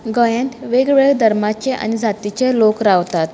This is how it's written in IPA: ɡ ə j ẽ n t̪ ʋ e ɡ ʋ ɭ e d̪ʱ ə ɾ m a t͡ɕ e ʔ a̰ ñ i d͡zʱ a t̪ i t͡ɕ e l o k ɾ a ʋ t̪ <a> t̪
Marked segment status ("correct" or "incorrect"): correct